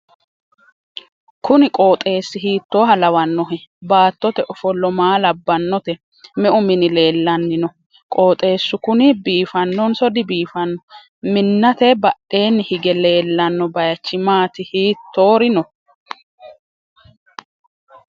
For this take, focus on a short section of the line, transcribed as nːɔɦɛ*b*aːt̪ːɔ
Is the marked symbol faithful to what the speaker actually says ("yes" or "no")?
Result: yes